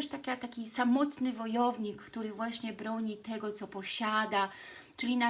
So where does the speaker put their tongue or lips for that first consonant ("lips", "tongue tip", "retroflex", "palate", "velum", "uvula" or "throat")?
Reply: retroflex